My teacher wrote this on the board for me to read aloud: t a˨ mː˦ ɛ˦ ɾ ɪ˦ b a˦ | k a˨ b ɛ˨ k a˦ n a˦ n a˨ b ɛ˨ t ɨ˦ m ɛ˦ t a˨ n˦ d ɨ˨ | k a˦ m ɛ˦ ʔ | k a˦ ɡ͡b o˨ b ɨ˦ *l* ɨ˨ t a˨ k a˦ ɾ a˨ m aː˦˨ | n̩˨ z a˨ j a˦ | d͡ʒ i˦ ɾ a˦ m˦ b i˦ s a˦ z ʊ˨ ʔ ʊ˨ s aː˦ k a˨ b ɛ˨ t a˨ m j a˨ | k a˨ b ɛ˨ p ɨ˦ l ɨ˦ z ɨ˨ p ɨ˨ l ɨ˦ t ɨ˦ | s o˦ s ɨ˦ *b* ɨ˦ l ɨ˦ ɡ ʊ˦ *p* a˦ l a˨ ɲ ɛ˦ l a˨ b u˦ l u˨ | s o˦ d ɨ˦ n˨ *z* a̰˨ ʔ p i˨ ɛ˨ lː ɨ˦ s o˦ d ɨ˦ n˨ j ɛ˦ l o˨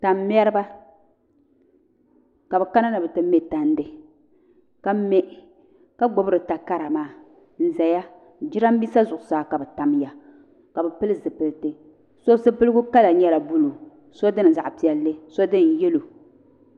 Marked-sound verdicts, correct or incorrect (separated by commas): incorrect, incorrect, incorrect, correct